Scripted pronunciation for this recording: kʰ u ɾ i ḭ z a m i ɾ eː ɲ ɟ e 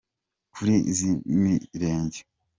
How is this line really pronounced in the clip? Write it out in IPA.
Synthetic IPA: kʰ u ɾ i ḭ z i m i ɾ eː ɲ ɟ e